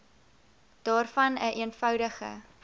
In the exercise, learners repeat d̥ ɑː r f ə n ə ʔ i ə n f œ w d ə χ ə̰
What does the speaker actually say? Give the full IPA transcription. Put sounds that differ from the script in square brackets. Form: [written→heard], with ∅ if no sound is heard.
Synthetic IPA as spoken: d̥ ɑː r f [ə→ɐ] n ə ʔ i ə n f œ w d ə χ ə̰